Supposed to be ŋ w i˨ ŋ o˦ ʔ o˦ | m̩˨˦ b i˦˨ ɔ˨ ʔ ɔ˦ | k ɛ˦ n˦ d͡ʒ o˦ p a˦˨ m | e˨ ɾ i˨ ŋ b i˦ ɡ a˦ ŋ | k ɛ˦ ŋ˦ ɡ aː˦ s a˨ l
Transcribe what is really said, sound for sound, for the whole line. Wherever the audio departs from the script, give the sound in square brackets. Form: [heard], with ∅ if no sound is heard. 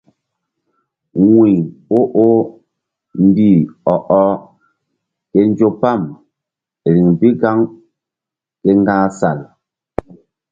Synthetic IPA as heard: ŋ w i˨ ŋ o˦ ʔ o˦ | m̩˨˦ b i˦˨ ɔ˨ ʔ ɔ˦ | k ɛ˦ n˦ d͡ʒ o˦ p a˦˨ m | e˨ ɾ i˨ ŋ b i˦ ɡ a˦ ŋ | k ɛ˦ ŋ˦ ɡ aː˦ s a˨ l